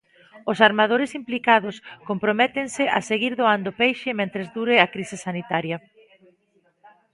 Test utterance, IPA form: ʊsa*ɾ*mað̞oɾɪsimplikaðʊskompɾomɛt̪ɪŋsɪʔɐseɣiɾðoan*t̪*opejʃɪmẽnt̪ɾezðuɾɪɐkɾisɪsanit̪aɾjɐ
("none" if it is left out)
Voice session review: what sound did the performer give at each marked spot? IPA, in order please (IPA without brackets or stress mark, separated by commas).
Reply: ɾ, d̪